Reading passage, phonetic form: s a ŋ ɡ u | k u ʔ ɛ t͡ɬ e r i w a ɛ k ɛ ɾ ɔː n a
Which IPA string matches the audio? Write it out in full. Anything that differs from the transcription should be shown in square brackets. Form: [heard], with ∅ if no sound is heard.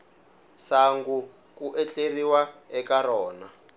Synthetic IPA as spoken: s a ŋ ɡ u | k u ʔ ɛ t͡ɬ e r i w a ɛ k [a] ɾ ɔː n a

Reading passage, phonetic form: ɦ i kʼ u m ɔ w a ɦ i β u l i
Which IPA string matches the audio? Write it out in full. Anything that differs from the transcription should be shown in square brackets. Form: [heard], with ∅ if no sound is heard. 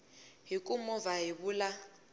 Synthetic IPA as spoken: ɦ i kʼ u m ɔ [v] a ɦ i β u l [a]

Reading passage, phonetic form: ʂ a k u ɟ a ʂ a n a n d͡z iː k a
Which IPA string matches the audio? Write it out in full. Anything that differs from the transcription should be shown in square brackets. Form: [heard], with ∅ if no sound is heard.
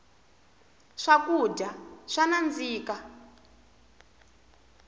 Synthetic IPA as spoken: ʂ a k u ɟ a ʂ a n a n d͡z iː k a

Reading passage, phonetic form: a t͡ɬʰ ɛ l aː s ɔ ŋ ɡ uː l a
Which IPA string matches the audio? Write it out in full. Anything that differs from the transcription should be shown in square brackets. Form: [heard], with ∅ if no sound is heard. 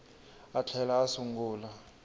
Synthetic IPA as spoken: a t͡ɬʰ ɛ l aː s [u] ŋ ɡ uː l a

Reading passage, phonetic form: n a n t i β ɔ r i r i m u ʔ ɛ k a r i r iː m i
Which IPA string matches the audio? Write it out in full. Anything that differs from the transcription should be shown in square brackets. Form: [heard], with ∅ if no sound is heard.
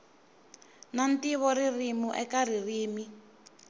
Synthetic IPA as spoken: n a n t i β ɔ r i r i m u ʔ ɛ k a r i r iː m i

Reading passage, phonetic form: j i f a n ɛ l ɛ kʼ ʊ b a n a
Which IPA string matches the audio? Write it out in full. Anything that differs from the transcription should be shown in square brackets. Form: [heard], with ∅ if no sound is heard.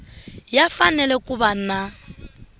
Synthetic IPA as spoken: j [a] f a n ɛ l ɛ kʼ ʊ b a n a

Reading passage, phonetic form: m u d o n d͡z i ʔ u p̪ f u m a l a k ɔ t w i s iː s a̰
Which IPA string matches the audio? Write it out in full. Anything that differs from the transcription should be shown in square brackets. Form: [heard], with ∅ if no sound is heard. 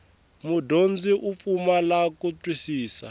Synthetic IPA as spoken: m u d o n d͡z i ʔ u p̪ f u m a l a k [u] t w i s iː s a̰

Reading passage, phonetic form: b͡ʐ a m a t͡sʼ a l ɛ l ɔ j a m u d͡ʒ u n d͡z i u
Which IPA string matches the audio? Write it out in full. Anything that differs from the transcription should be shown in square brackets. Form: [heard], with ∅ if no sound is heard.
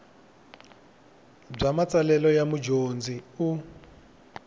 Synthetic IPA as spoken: b͡ʐ a m a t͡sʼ a l ɛ l ɔ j a m u d͡ʒ [o] n d͡z i u

